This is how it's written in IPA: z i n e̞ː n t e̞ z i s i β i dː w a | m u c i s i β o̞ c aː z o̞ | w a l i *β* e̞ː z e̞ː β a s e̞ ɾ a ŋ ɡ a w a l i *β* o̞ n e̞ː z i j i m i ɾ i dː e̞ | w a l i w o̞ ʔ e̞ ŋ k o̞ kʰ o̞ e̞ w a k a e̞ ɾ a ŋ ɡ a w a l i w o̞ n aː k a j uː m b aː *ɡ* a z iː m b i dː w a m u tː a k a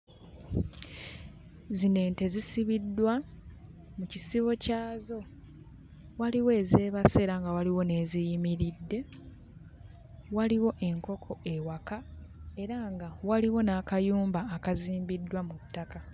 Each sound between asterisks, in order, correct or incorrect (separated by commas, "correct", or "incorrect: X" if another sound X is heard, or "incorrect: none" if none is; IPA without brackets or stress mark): incorrect: w, incorrect: w, incorrect: k